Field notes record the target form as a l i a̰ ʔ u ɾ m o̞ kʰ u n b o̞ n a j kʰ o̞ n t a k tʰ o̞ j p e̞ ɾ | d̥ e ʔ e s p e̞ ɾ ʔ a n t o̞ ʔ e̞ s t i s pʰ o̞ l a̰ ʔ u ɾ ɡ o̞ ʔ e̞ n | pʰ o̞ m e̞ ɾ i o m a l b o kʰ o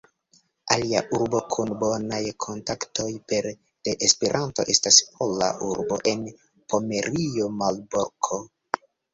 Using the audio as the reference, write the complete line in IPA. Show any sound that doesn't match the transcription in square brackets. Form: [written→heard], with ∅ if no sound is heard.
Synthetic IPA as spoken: a l i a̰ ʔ u ɾ [m→b] o̞ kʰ u n b o̞ n a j kʰ o̞ n t a k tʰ o̞ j p e̞ ɾ | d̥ e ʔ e s p e̞ ɾ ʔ a n t o̞ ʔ e̞ s t [i→a] s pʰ o̞ l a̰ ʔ u ɾ [ɡ→b] o̞ ʔ e̞ n | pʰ o̞ m e̞ ɾ i o m a l b o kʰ o